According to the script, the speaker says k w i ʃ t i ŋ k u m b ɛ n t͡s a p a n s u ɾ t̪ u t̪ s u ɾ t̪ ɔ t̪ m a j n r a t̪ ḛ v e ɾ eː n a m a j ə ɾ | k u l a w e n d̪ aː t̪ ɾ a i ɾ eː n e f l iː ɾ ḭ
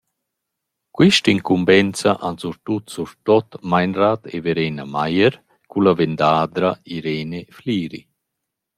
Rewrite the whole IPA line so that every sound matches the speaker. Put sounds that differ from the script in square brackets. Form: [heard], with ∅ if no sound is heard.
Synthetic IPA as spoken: k w i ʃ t i ŋ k u m b ɛ n t͡s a [ʔ] a n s u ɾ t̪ u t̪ s u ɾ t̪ ɔ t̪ m a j n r a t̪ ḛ v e ɾ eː n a m a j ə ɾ | k u l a [v] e n d̪ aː [d̪] ɾ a i ɾ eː n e f l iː ɾ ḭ